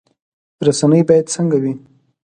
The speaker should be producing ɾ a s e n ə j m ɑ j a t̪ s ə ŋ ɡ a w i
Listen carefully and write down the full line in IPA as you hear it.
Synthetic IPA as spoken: ɾ a s a n ə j b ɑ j a d̪ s ə ŋ ɡ a w i